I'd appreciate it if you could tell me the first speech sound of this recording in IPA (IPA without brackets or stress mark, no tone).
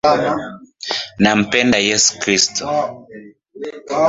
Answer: n